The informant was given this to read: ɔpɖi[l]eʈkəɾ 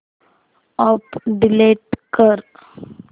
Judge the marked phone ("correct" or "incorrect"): correct